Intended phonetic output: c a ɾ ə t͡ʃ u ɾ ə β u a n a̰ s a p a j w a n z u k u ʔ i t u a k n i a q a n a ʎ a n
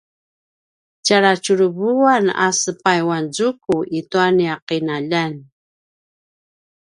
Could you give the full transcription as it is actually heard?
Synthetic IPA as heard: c a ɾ a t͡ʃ u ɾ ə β u a n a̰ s ə p a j w a n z u k u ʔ i t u a n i a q i n a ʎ a n